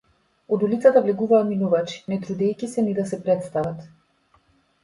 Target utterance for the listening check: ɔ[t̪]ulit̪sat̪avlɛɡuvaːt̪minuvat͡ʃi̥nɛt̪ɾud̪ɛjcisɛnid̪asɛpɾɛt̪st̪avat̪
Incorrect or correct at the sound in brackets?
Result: incorrect: d̪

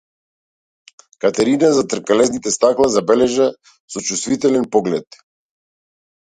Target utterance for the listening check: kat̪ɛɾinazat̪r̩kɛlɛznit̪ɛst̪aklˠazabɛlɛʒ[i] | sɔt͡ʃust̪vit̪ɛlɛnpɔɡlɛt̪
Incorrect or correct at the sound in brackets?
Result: incorrect: a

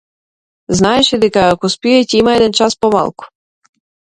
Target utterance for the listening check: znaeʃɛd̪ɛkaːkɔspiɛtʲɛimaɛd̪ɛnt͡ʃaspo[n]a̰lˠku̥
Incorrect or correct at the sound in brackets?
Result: incorrect: m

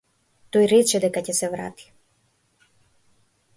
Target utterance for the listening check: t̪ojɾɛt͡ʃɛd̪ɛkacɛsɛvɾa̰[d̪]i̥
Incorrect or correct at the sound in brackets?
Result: incorrect: t̪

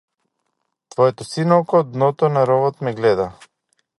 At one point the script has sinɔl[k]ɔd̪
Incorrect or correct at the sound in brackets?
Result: correct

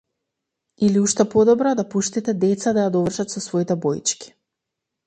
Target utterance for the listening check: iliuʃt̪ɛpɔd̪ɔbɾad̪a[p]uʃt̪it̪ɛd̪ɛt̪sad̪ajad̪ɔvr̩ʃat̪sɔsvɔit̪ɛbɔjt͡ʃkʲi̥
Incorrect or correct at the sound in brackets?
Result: correct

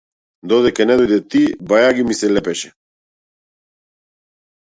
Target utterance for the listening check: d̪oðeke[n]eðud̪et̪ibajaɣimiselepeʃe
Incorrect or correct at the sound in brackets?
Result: correct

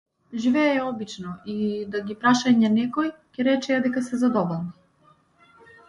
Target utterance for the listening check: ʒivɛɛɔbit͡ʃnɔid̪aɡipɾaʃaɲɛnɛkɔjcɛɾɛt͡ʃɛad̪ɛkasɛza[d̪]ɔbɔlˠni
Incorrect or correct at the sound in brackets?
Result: correct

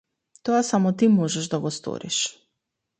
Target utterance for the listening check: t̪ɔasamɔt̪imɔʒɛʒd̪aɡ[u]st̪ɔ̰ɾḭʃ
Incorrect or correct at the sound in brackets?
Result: incorrect: ɔ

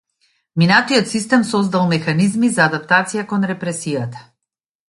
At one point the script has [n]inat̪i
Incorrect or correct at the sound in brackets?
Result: incorrect: m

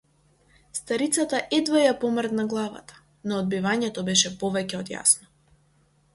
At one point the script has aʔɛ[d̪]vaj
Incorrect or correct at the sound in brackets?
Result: correct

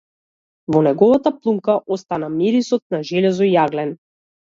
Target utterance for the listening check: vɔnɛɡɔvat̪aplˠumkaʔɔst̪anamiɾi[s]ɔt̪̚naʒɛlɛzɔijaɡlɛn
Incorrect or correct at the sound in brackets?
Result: correct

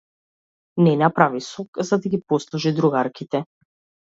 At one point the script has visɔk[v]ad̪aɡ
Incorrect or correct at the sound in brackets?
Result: incorrect: z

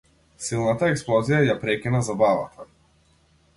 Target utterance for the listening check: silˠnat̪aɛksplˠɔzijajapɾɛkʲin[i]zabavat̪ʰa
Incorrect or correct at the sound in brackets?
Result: incorrect: a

